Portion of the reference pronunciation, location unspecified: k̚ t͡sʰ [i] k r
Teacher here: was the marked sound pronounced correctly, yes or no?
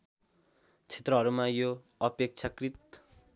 no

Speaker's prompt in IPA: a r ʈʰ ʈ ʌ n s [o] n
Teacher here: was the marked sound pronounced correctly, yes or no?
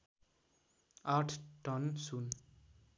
no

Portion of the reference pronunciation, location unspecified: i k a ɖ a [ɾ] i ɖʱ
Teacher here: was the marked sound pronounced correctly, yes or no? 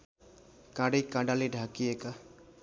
no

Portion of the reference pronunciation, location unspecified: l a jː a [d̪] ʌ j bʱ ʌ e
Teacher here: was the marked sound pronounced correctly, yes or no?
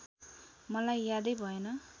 yes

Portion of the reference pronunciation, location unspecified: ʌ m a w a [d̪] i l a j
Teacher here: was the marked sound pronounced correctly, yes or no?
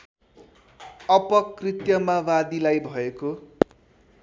yes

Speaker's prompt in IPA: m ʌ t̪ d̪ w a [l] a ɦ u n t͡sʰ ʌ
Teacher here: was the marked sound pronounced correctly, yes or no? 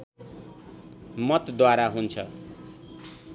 no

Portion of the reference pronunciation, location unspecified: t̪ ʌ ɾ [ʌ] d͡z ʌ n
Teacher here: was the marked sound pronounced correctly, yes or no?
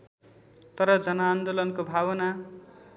yes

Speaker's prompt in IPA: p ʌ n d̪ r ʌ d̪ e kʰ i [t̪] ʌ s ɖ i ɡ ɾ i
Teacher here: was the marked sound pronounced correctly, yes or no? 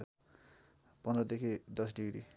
no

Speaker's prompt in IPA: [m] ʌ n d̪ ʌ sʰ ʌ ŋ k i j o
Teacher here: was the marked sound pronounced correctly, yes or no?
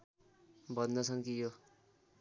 no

